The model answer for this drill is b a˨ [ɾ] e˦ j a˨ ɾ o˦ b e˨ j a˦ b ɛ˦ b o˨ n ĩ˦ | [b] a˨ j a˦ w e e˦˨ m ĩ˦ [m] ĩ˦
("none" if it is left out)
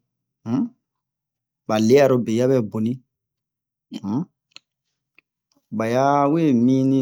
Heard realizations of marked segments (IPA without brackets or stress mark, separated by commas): l, b, n